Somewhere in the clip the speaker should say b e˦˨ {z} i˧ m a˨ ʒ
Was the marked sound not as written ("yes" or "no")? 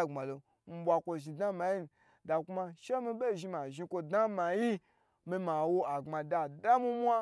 yes